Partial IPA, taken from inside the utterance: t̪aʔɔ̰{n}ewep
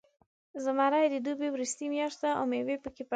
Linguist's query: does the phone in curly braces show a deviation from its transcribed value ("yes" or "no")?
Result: yes